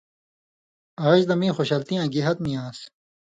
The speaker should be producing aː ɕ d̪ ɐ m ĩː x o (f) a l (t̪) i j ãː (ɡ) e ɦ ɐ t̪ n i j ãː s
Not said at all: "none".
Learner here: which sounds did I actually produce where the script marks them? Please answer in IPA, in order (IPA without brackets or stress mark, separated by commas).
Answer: ɕ, t̪, ɡ